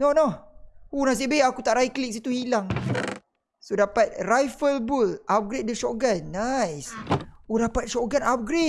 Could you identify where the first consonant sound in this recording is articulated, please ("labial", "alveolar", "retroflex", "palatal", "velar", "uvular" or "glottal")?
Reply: alveolar